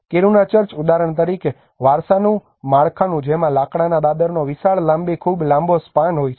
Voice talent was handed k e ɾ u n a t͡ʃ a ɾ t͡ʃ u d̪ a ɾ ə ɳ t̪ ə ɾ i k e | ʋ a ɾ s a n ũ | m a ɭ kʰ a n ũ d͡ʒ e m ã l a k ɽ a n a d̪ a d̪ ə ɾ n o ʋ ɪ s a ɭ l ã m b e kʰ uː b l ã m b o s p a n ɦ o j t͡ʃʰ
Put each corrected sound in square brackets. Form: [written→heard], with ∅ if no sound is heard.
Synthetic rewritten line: k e ɾ u n a t͡ʃ [a→ə] ɾ t͡ʃ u d̪ a ɾ ə ɳ t̪ ə ɾ i k e | ʋ a ɾ s a n ũ | m a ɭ kʰ a n ũ d͡ʒ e m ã l a k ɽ a n a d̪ a d̪ ə ɾ n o ʋ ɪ s a ɭ l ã m b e kʰ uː b l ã m b o s p a n ɦ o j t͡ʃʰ

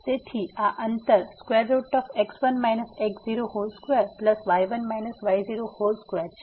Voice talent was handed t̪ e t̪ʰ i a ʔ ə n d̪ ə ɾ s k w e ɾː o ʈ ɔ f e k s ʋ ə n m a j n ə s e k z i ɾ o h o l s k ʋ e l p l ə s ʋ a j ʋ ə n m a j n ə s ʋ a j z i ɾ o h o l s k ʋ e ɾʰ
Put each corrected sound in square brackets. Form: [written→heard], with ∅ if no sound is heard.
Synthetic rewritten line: t̪ e t̪ʰ i a ʔ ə n [d̪→t̪] ə ɾ s k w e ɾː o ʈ ɔ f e k s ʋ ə n m a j n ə s e k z i ɾ o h o l s k ʋ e [l→ɾ] p l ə s ʋ a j ʋ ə n m a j n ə s ʋ a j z i ɾ o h o l s k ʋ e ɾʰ

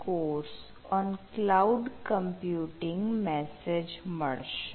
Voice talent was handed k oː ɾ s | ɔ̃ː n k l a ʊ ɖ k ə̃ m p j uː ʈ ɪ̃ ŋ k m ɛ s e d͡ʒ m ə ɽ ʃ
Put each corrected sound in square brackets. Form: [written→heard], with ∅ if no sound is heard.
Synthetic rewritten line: k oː ɾ s | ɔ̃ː n k l a ʊ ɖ k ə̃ m p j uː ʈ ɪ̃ ŋ [k→ɡ] m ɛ s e d͡ʒ m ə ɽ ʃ

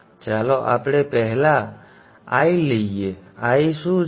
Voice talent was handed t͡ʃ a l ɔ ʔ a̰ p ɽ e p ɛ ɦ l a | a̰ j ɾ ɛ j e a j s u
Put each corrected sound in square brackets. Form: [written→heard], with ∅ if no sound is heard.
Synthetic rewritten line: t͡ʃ a l ɔ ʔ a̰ p ɽ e p ɛ ɦ l a | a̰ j [ɾ→l] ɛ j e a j s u

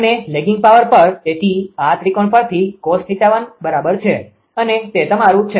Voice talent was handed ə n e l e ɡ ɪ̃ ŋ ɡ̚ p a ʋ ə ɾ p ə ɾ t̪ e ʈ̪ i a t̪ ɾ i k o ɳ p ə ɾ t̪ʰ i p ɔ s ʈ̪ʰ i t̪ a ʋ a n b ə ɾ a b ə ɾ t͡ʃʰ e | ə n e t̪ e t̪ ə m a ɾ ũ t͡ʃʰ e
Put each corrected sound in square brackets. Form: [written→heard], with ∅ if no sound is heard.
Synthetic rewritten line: ə n e l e ɡ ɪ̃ ŋ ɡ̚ p a ʋ ə ɾ p ə ɾ t̪ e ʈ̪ i a t̪ ɾ i k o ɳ p ə ɾ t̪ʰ i [p→k] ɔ s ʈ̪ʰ i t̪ a ʋ a n b ə ɾ a b ə ɾ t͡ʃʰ e | ə n e t̪ e t̪ ə m a ɾ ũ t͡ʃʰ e

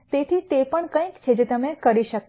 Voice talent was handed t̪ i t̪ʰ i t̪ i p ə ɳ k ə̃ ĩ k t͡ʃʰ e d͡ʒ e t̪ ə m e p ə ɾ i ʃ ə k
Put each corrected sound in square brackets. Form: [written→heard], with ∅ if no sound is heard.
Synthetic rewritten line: t̪ [i→e] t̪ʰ i t̪ [i→e] p ə ɳ k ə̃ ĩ k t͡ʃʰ e d͡ʒ e t̪ ə m e [p→k] ə ɾ i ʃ ə k

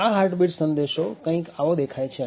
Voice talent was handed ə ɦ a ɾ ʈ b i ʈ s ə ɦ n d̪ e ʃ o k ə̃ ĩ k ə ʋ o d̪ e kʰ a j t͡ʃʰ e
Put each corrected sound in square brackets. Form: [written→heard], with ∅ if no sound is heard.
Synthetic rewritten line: [ə→a] ɦ a ɾ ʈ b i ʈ s ə [ɦ→∅] n d̪ e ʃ o k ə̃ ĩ k [ə→a] ʋ o d̪ e kʰ a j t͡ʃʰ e

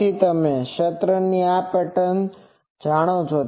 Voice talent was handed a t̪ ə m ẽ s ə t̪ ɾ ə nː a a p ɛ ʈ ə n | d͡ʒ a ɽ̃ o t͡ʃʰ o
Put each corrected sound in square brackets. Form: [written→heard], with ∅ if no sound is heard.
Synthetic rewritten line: [a→i] t̪ ə m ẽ [s→ʃ] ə t̪ ɾ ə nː [a→i] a p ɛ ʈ ə n | d͡ʒ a ɽ̃ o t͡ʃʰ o

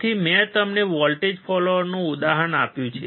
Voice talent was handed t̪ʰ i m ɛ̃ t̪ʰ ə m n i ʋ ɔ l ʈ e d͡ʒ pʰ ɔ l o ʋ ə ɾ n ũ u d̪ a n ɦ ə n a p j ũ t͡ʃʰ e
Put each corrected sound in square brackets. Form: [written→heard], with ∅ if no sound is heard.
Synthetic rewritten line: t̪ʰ i m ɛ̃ [t̪ʰ→t̪] ə m n [i→e] ʋ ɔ l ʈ e d͡ʒ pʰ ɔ l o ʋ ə ɾ n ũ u d̪ a [n→∅] ɦ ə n a p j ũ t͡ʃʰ e

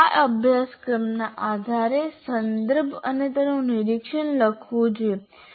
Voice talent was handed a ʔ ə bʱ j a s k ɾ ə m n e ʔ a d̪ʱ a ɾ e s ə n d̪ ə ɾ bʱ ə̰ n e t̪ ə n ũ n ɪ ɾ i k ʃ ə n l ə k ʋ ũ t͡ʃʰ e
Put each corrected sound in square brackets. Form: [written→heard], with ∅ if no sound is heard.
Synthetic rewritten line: a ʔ ə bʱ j a s k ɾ ə m n [e→a] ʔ a d̪ʱ a ɾ e s ə n d̪ ə ɾ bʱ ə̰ n e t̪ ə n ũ n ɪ ɾ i k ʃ ə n l ə [k→kʰ] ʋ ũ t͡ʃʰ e

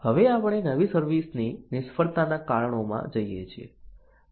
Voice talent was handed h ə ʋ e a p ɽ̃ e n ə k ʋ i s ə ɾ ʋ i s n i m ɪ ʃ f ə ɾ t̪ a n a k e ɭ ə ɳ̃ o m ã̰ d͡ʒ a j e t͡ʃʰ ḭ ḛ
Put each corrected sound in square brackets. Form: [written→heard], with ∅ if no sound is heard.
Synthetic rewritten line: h ə ʋ e a p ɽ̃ e n ə [k→∅] ʋ i s ə ɾ ʋ i s n i [m→n] ɪ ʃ f ə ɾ t̪ a n a k [e→a] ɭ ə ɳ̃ o m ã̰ d͡ʒ [a→ə] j e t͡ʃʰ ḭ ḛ

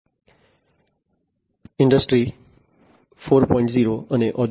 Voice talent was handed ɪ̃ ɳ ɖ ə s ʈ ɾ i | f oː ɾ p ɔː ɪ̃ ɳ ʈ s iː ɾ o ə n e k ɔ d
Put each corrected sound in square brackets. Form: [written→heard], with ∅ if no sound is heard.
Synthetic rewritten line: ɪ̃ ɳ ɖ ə s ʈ ɾ i | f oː ɾ p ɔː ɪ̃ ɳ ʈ [s→z] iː ɾ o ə n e [k→ʔ] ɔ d

